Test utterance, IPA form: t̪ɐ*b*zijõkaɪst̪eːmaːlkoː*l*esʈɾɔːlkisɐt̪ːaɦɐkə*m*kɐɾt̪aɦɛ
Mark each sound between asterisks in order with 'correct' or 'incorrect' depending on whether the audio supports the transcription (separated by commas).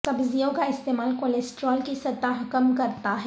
correct, correct, correct